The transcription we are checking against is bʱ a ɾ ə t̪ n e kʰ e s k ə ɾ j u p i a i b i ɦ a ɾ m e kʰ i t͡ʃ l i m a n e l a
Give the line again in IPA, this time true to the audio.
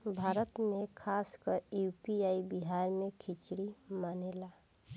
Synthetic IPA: bʱ a ɾ ə t̪ m e kʰ a s k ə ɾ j u p i a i b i ɦ a ɾ m e kʰ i t͡ʃ ɽ i m a n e l a